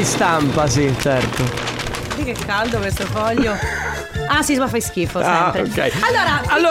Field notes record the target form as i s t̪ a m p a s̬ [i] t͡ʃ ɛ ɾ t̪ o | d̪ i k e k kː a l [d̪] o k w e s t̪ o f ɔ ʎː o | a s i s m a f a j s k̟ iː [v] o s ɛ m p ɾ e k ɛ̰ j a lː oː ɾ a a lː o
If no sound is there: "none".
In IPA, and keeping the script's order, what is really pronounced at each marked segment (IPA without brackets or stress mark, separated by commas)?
i, d̪, f